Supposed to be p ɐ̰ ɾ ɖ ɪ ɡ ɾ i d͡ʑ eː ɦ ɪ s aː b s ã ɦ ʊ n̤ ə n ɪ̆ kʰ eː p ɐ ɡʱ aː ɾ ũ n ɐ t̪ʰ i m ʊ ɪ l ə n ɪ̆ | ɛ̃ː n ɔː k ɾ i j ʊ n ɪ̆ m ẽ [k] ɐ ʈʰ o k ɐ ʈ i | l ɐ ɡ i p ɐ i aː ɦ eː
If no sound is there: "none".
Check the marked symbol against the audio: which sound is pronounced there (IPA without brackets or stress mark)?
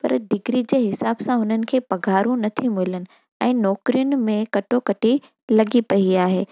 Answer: k